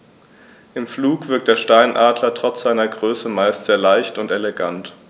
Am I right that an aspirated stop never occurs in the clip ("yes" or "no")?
yes